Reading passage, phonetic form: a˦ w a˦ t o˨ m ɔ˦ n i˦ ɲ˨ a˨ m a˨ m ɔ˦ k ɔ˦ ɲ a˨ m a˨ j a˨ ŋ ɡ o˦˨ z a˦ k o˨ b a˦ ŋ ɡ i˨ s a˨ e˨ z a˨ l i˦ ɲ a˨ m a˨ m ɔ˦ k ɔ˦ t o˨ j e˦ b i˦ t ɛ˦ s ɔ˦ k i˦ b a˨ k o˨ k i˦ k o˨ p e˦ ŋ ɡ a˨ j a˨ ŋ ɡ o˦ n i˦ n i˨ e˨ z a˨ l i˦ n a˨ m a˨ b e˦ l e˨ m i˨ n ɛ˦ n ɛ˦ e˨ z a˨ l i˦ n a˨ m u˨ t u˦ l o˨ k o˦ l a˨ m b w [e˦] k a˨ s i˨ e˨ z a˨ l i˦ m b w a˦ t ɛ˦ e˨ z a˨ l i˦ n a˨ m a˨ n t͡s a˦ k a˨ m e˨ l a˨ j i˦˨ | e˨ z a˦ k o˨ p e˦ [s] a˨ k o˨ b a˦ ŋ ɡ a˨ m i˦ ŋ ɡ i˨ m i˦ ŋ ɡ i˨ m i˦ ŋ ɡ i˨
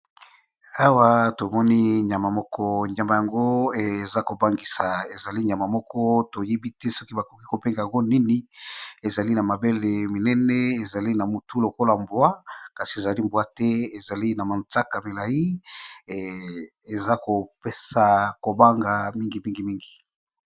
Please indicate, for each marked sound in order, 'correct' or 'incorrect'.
incorrect: a˦, correct

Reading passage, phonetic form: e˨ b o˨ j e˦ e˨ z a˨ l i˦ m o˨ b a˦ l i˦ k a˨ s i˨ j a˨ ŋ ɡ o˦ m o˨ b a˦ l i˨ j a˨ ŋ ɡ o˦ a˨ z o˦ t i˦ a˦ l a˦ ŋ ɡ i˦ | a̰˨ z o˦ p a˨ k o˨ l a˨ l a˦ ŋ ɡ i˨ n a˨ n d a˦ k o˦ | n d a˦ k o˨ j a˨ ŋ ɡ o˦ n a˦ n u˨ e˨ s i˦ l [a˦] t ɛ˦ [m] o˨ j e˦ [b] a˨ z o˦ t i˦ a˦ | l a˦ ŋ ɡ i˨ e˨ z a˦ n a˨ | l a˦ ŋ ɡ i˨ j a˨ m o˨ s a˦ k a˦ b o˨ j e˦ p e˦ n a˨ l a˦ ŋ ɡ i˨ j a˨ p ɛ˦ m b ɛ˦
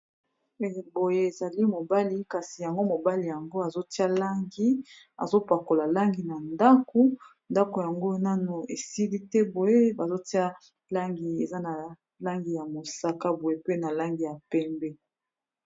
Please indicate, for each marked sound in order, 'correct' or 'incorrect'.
incorrect: i˦, incorrect: b, correct

